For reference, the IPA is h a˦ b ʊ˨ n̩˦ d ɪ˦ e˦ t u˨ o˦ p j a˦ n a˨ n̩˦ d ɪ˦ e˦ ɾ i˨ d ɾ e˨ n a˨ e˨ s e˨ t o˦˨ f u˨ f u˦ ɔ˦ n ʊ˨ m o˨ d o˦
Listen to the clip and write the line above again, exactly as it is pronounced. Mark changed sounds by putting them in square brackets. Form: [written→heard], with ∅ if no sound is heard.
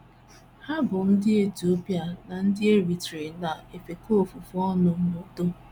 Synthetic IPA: h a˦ b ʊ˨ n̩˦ d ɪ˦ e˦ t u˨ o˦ p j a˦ n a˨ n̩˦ d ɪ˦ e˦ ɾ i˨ [d→t] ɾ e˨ n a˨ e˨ [s→f] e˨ [t→k] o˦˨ f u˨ f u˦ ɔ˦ n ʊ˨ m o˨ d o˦